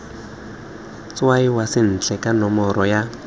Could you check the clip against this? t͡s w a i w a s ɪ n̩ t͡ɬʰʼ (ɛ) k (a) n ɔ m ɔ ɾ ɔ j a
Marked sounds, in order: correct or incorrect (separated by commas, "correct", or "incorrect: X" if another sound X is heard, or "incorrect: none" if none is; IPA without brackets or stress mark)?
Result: correct, correct